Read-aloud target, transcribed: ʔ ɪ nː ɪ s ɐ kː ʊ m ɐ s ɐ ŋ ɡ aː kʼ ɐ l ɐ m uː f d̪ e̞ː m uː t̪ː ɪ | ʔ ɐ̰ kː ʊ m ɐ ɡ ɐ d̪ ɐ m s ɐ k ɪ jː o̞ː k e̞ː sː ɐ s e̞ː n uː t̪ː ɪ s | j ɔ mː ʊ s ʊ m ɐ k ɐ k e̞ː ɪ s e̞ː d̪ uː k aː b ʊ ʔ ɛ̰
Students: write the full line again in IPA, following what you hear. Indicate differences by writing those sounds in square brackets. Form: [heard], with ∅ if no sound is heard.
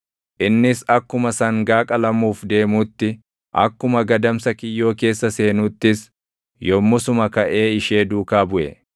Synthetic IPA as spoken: ʔ ɪ nː ɪ s ɐ kː ʊ m ɐ s ɐ ŋ ɡ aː kʼ ɐ l ɐ m uː f d̪ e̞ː m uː t̪ː ɪ | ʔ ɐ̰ kː ʊ m ɐ ɡ ɐ d̪ ɐ m s ɐ k ɪ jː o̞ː k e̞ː sː ɐ s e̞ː n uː t̪ː ɪ s | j ɔ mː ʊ s ʊ m ɐ k ɐ [ʔ] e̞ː ɪ [ʃ] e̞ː d̪ uː k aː b ʊ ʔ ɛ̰